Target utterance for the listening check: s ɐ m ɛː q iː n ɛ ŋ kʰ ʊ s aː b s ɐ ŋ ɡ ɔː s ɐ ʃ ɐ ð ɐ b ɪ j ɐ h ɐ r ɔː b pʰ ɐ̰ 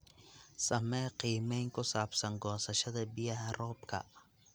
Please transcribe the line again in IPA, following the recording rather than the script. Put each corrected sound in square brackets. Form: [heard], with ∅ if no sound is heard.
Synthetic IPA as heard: s ɐ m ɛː q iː [m] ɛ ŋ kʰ ʊ s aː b s ɐ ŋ ɡ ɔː s ɐ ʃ ɐ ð ɐ b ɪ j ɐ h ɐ r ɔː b [kʰ] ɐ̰